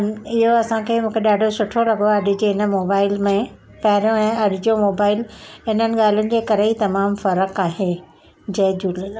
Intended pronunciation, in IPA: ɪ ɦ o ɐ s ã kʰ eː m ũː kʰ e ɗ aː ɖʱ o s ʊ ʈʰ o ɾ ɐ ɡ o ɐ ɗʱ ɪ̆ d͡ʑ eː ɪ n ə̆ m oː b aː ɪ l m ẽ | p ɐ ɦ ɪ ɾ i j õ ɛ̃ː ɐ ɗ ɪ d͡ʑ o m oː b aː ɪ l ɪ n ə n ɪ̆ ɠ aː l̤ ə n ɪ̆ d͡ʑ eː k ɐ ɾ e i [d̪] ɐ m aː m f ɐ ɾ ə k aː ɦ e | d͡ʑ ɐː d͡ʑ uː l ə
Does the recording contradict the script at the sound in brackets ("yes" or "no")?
yes